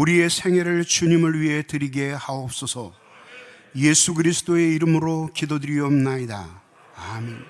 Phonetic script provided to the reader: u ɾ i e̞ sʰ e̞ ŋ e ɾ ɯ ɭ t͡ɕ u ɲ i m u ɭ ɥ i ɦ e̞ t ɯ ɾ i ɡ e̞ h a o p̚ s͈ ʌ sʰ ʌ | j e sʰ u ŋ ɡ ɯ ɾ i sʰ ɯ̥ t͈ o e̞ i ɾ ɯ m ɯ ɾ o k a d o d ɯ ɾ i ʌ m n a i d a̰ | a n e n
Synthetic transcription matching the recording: u ɾ i e̞ sʰ e̞ ŋ e ɾ ɯ ɭ t͡ɕ u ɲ i m ɯ ɭ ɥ i ɦ e̞ t ɯ ɾ i ɡ e̞ h a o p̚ s͈ ʌ sʰ ʌ | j e sʰ u ɡ ɯ ɾ i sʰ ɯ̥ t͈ o e̞ i ɾ ɯ m ɯ ɾ o k i d o d ɯ ɾ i ʌ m n a i d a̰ | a m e n